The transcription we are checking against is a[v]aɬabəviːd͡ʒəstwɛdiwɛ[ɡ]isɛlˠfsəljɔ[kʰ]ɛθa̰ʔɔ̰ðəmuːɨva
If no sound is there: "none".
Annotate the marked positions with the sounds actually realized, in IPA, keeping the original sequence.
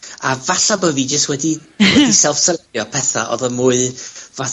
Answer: v, d, pʰ

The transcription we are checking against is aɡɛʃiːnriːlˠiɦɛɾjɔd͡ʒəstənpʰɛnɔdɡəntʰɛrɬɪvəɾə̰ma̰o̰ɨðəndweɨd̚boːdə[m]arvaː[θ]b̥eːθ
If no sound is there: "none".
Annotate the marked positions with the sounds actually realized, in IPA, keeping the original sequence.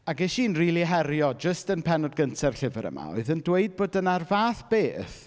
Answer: n, θ

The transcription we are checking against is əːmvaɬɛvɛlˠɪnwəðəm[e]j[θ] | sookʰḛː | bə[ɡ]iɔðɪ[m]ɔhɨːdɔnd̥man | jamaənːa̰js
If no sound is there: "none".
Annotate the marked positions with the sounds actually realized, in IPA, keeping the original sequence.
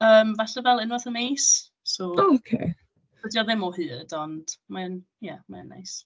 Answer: e, s, d, m

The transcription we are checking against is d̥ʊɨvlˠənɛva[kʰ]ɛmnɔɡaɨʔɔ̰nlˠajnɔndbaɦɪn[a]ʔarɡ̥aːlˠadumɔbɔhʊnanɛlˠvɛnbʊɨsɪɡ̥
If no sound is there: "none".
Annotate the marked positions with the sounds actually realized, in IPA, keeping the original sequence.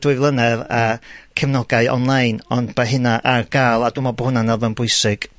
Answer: kʰ, a

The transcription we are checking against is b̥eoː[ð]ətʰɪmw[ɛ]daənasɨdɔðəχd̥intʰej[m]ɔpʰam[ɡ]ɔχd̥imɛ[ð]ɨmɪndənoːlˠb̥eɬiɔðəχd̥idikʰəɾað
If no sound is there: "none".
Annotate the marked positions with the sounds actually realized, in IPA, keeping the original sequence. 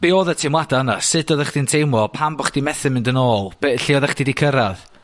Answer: ð, a, m, b, θ

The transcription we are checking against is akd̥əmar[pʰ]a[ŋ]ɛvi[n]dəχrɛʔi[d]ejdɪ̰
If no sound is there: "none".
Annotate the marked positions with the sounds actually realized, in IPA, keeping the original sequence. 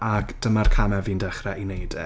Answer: kʰ, m, n, n

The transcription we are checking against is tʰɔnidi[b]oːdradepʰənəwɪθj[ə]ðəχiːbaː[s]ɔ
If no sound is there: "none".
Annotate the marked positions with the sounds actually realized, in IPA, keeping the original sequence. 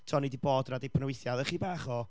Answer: b, a, χ

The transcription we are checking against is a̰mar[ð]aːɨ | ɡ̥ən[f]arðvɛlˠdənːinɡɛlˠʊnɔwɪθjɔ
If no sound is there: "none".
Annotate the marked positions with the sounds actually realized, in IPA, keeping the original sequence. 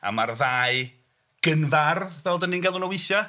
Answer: ð, v

